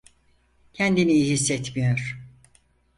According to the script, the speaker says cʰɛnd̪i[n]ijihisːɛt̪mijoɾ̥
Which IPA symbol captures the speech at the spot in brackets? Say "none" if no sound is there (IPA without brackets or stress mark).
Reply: n